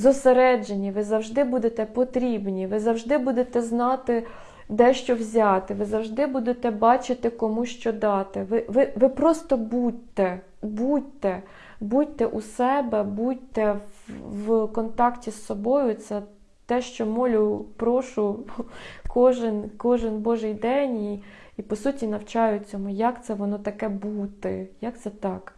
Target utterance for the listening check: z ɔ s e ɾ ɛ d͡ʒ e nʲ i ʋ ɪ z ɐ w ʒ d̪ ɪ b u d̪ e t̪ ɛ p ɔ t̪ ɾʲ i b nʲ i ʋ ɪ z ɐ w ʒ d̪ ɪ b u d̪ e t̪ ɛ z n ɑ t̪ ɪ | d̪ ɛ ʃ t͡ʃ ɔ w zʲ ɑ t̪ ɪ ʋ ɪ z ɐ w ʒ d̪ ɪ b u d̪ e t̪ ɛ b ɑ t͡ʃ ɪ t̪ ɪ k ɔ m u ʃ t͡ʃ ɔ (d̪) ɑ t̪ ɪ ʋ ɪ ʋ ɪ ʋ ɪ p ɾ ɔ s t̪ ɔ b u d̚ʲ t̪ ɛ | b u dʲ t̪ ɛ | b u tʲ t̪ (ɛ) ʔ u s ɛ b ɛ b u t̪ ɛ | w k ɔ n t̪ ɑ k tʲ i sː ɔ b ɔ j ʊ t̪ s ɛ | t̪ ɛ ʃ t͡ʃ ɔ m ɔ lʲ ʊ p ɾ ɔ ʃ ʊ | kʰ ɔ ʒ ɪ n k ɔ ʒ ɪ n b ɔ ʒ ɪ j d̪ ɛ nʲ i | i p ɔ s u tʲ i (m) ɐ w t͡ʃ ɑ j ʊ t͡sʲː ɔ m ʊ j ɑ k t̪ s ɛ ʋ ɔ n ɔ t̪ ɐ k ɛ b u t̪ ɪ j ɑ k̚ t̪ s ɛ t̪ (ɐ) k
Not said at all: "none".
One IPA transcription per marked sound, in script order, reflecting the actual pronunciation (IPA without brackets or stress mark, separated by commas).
d̪, ɛ, n, ɑ